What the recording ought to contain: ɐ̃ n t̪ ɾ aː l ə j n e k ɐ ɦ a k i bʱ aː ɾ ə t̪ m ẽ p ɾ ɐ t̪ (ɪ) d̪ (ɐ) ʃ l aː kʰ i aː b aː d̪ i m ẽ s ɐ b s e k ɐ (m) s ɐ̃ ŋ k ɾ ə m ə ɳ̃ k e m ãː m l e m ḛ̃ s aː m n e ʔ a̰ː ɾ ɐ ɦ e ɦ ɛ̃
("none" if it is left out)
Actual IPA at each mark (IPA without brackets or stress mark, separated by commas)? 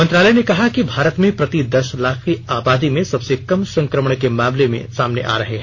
i, ɐ, m